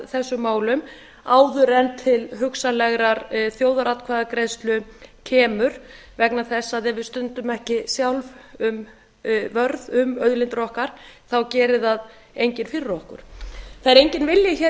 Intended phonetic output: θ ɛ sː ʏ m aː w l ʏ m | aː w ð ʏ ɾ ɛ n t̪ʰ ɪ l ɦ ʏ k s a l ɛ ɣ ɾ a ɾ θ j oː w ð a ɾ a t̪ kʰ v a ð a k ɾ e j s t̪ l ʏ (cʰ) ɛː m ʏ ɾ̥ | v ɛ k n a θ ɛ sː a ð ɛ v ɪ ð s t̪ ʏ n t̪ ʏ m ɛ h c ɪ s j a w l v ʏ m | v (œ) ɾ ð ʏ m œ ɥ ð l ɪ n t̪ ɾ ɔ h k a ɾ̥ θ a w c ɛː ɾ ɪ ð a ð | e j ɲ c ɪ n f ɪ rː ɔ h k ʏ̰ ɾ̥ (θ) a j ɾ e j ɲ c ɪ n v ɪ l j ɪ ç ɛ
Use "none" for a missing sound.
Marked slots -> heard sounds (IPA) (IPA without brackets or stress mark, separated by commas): cʰ, œ, θ